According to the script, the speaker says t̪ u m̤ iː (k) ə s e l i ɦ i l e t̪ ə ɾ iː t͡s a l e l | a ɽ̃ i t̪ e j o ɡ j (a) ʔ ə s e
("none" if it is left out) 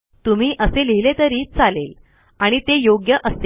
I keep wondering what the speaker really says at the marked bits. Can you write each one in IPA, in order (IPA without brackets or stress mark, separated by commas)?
ʔ, ə